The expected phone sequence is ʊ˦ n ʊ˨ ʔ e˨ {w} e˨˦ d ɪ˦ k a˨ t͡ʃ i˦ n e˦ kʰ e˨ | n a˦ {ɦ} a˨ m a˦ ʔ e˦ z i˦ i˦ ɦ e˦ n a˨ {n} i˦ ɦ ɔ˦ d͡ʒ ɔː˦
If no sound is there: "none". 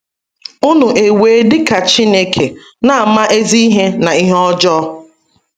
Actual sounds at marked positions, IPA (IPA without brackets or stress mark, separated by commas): w, none, none